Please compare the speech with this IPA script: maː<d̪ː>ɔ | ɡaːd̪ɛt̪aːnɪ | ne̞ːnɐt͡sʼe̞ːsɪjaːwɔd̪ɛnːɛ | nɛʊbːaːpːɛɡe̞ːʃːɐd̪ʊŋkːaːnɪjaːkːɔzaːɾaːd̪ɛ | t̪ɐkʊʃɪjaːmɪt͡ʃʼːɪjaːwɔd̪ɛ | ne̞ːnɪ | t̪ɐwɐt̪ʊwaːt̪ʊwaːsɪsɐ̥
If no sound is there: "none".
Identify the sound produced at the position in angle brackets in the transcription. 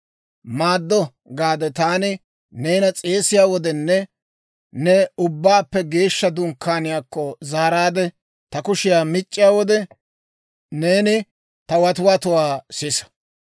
d̪ː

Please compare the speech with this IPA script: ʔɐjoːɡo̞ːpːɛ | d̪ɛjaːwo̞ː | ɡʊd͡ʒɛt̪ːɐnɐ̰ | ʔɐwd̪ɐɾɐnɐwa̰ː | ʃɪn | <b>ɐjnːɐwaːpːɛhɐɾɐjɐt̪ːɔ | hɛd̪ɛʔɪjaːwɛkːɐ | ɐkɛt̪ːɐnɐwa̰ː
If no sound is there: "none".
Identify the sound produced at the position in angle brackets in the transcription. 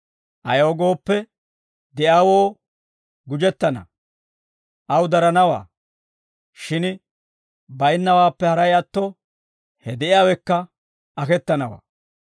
b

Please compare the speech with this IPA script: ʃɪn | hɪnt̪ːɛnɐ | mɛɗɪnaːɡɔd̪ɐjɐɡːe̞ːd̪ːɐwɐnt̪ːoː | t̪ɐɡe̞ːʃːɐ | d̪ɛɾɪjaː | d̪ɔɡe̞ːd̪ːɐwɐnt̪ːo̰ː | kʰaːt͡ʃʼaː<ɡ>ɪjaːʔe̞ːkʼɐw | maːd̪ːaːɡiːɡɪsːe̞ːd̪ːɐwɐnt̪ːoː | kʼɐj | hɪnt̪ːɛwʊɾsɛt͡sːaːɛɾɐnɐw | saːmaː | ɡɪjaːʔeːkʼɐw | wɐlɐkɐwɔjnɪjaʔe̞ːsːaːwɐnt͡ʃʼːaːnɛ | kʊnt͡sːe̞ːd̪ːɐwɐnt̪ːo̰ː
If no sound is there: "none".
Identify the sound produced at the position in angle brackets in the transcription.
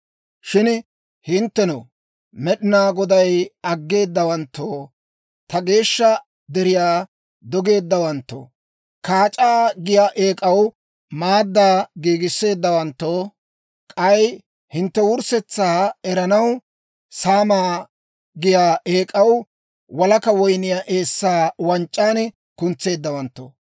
ɡ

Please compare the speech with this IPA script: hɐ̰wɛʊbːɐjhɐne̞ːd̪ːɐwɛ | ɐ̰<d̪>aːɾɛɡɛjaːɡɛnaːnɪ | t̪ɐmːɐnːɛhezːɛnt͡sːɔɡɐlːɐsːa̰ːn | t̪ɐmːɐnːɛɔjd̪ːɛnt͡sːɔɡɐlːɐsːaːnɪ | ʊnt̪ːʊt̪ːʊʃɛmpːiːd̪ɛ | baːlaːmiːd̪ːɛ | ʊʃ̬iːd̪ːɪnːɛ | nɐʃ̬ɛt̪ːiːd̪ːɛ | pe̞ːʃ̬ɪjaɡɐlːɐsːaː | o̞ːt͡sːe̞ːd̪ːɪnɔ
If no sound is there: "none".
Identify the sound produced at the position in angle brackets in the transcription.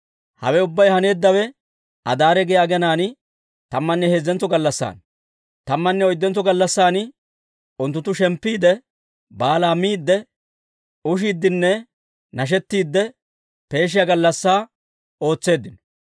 d̪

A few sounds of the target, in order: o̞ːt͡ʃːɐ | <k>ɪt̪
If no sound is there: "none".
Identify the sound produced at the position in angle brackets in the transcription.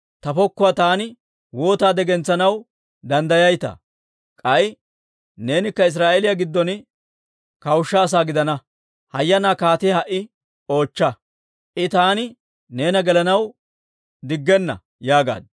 ʔ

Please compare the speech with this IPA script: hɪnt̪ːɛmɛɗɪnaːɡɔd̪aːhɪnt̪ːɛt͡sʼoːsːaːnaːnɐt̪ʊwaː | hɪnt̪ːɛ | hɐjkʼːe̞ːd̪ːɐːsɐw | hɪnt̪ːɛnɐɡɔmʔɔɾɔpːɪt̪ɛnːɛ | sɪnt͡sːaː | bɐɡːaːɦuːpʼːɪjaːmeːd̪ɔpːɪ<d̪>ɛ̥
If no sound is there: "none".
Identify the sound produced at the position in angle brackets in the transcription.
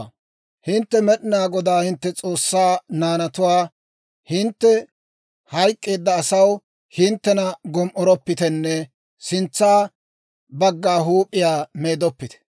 t̪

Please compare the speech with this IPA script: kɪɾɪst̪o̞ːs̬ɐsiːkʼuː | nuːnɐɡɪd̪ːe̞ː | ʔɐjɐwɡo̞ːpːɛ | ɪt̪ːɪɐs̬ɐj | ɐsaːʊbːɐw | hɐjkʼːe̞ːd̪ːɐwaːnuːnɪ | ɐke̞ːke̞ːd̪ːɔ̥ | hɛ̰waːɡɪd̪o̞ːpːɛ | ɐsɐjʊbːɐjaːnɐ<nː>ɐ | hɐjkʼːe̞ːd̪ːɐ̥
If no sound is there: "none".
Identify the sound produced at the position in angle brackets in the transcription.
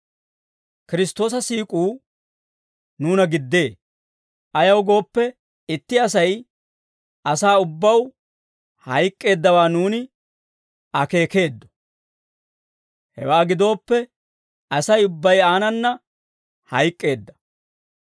nː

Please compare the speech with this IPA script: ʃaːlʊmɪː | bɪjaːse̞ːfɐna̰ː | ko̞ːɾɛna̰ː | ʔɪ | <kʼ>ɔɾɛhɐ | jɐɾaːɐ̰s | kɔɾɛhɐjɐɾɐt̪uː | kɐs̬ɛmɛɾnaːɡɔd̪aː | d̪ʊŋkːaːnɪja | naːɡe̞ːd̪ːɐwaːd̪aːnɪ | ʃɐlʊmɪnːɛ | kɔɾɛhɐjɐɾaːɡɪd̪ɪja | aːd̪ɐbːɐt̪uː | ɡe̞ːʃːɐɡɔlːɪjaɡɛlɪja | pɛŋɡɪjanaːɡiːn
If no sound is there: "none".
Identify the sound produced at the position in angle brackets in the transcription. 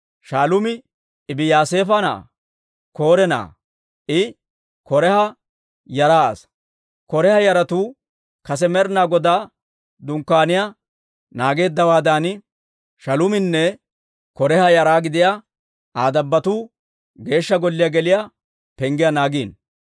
k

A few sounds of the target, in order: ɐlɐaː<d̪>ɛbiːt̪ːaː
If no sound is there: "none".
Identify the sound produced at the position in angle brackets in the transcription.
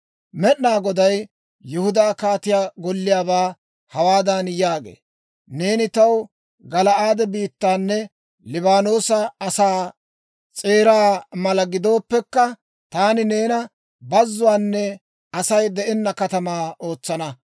d̪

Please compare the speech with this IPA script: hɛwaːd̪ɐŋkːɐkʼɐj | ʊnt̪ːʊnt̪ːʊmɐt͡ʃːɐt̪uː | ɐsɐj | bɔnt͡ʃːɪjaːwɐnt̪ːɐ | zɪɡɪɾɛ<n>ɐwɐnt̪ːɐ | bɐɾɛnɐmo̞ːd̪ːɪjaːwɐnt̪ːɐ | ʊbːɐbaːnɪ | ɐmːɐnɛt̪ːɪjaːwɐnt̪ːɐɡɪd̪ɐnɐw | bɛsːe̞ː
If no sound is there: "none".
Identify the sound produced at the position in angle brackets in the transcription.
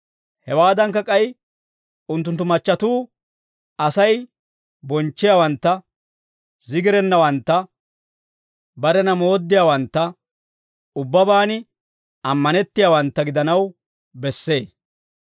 nː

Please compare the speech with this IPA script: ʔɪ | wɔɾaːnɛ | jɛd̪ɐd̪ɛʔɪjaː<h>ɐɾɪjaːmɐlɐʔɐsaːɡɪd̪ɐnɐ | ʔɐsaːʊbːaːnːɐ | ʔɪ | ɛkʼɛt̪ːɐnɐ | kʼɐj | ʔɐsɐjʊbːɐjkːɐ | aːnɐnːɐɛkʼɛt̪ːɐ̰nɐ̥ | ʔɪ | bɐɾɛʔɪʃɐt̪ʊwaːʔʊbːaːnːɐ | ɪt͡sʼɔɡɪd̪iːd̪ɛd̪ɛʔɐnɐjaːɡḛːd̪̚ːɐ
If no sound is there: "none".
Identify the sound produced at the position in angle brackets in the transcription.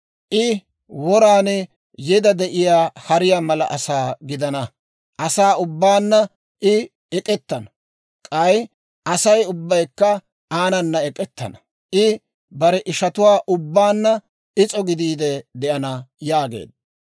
h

